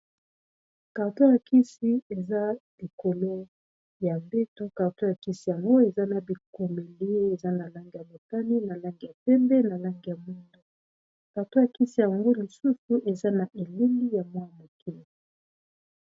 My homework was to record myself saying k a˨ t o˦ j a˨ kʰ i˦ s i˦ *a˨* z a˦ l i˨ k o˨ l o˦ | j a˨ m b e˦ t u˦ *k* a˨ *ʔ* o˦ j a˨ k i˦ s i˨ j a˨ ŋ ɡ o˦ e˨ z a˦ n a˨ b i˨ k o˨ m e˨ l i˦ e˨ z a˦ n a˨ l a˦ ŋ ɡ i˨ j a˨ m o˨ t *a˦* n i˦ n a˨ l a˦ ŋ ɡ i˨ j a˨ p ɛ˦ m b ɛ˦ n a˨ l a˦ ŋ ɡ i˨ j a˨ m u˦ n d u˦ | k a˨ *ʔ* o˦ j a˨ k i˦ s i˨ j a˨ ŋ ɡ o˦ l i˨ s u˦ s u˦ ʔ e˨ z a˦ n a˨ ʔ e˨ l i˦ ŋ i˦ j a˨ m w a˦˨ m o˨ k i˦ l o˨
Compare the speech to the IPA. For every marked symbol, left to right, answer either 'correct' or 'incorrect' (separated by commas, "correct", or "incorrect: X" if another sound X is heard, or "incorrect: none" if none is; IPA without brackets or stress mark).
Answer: incorrect: e˨, correct, incorrect: t, correct, incorrect: t